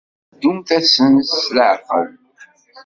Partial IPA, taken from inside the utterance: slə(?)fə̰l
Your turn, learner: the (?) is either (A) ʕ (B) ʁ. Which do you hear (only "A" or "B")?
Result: A